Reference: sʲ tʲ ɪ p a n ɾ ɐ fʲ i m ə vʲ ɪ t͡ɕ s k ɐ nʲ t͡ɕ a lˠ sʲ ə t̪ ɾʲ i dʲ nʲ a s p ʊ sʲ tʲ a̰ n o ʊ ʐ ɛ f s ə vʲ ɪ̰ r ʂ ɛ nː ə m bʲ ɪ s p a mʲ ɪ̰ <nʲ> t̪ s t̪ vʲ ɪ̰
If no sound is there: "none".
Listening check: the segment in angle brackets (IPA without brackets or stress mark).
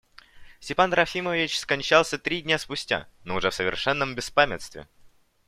none